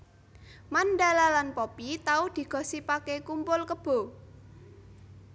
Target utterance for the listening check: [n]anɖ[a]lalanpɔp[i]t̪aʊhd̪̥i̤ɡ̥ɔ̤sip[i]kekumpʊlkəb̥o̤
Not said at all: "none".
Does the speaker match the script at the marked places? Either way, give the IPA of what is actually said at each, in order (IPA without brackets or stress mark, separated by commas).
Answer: m, a, i, a